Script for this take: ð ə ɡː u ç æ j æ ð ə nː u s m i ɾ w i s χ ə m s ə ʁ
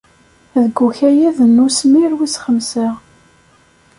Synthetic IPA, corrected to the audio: ð ə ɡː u ç æ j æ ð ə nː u s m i ɾ w i s χ ə m s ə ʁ